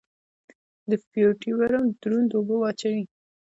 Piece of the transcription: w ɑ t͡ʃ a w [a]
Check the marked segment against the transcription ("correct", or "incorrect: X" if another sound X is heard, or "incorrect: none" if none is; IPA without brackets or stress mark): incorrect: i